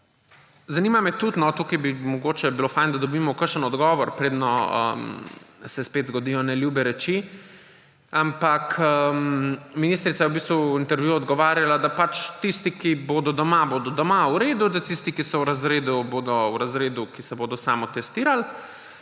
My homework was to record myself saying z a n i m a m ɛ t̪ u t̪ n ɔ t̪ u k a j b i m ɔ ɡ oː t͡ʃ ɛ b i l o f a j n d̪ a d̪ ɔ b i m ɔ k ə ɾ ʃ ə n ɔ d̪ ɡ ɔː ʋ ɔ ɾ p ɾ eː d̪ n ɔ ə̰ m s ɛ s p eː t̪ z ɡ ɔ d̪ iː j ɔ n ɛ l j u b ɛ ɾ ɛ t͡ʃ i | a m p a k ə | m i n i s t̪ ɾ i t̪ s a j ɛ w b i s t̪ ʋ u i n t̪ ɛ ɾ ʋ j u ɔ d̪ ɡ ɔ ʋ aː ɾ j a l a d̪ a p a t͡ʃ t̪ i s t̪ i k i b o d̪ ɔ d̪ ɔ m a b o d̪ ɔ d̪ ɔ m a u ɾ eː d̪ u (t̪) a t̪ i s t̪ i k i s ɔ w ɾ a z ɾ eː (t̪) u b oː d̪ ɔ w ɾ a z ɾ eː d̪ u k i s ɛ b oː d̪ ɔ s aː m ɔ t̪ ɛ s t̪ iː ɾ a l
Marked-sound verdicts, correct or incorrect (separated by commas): incorrect, incorrect